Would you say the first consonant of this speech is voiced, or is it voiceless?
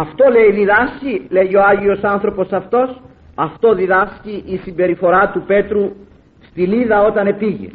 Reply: voiceless